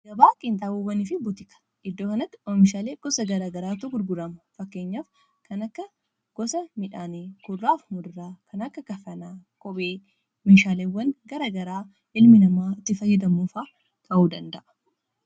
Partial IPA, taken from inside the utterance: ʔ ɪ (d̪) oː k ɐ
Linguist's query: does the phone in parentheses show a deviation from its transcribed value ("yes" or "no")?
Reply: yes